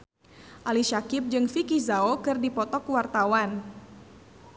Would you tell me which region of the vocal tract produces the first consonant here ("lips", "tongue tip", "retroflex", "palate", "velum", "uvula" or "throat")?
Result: throat